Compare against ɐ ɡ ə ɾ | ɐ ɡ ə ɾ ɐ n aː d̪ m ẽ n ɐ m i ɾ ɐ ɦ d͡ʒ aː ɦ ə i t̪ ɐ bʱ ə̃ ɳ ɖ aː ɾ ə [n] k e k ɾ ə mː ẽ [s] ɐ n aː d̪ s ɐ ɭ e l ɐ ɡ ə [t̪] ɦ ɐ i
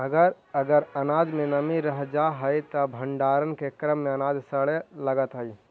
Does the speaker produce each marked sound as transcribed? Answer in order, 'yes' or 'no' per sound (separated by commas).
yes, no, yes